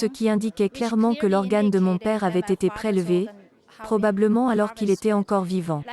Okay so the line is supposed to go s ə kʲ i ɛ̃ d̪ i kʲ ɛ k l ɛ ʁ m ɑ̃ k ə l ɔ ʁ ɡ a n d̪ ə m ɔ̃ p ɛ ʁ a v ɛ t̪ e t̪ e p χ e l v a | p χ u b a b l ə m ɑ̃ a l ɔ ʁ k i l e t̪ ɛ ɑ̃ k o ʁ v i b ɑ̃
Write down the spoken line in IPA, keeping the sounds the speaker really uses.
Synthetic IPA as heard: s ə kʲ i ɛ̃ d̪ i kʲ ɛ k l ɛ ʁ m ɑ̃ k ə l ɔ ʁ ɡ a n d̪ ə m ɔ̃ p ɛ ʁ a v ɛ t̪ e t̪ e p χ e l v e | p χ ɔ b a b l ə m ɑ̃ a l ɔ ʁ k i l e t̪ ɛ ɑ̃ k ɔ ʁ v i v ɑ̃